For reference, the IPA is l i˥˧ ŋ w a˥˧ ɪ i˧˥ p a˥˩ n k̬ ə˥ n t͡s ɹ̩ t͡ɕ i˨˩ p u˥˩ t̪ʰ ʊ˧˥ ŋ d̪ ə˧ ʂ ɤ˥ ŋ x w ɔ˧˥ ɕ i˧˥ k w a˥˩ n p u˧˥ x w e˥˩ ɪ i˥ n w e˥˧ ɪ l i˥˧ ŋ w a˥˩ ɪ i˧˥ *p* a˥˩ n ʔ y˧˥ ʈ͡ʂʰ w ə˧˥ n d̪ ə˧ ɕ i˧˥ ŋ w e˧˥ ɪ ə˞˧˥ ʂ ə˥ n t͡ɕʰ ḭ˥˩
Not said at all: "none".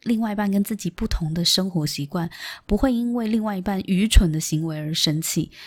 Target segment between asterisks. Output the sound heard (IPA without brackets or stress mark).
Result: p